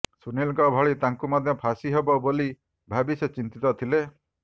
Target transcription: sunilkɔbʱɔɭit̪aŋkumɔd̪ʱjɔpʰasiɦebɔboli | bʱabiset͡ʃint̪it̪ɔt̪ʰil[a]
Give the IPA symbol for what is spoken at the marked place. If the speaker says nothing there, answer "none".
e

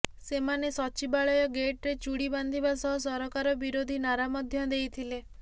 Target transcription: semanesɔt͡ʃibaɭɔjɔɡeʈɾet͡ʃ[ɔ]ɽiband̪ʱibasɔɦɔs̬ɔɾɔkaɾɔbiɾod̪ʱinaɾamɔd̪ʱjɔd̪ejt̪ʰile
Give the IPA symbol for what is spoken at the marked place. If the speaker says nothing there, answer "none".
u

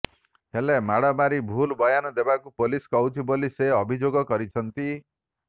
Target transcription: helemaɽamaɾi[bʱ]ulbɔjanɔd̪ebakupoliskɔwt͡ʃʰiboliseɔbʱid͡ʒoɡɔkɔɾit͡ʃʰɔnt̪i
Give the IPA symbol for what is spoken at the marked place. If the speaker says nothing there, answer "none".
bʱ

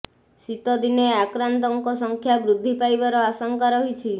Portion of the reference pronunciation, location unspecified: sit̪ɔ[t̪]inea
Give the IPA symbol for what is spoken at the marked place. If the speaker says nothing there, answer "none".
d̪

